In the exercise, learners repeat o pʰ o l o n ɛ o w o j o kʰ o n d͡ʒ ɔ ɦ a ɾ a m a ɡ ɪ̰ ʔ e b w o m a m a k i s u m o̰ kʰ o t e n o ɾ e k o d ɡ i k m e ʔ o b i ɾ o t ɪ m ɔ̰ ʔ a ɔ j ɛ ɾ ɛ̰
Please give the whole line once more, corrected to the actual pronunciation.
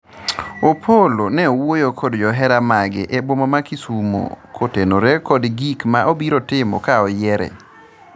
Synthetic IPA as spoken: o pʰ o l o n ɛ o w o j o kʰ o d d͡ʒ ɔ ɦ ɛ ɾ a m a ɡ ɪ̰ ʔ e b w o m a m a k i s u m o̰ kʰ o t e n o ɾ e k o d ɡ i k m a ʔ o b i ɾ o t ɪ m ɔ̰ k a ɔ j ɛ ɾ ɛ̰